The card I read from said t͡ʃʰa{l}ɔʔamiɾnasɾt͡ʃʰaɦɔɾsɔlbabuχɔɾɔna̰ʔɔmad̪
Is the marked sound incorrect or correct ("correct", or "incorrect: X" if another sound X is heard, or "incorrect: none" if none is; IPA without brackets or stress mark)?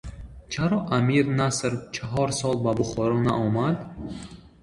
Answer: incorrect: ɾ